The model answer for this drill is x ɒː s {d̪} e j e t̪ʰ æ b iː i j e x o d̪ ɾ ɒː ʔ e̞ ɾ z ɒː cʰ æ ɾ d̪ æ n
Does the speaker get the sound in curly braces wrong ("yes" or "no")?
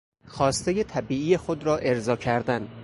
yes